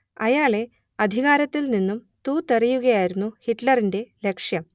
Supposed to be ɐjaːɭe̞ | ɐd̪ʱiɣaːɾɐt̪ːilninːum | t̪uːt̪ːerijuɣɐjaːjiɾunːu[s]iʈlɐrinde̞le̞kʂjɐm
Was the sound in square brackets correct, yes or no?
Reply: no